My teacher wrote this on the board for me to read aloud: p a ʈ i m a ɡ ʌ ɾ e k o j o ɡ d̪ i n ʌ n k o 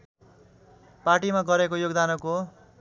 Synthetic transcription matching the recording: p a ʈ i m a ɡ ʌ ɾ e k o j o ɡ d̪ a n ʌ k o